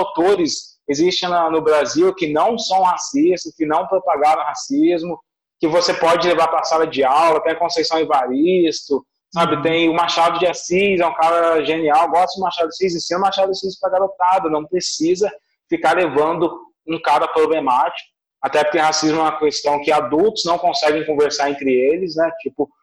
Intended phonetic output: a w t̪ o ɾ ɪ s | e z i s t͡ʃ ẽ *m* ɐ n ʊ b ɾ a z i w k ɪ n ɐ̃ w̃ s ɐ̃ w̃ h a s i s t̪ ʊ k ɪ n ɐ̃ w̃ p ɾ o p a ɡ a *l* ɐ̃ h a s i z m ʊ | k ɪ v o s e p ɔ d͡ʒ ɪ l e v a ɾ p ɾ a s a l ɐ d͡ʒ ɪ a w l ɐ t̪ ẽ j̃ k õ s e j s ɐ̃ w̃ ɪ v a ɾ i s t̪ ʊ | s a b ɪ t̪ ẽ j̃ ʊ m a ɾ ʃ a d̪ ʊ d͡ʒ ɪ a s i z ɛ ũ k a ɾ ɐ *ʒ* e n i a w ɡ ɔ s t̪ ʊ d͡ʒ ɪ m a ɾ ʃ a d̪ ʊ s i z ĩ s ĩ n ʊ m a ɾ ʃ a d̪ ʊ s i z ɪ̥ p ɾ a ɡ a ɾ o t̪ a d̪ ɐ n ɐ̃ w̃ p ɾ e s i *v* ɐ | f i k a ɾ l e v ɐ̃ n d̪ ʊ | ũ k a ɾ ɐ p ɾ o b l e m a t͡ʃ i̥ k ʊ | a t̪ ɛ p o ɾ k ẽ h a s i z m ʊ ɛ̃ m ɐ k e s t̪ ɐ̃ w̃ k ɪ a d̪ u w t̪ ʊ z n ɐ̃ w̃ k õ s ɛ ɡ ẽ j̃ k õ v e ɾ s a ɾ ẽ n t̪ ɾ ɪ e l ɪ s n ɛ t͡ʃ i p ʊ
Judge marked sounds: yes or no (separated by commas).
no, no, yes, no